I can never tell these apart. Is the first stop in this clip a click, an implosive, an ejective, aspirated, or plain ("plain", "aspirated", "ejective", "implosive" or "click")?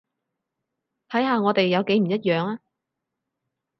aspirated